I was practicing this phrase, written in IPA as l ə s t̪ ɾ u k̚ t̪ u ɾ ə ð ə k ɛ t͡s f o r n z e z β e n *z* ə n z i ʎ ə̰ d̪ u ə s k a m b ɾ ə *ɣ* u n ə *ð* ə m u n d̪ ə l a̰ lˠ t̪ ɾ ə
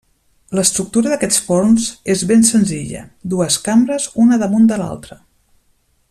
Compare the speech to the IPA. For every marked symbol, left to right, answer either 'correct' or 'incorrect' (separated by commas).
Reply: incorrect, incorrect, correct